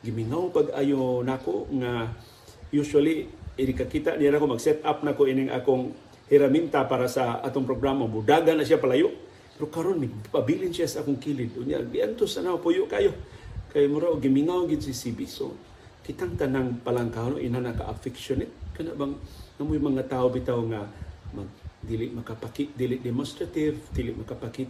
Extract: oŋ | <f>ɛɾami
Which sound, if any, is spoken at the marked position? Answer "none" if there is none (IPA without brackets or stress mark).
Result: h